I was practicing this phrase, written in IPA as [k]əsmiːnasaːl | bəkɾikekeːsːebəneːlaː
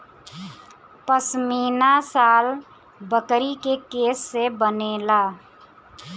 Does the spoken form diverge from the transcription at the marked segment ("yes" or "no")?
yes